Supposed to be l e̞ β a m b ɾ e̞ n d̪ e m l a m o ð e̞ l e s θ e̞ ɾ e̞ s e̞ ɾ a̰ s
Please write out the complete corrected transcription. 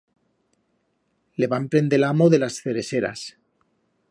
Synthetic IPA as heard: l e̞ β a m p ɾ e̞ n d̪ e l a m o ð e̞ l a s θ e̞ ɾ e̞ s e̞ ɾ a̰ s